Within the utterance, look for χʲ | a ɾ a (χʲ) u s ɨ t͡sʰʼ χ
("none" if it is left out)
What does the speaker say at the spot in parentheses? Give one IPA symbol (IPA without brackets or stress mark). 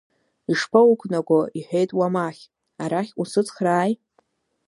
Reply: χʲ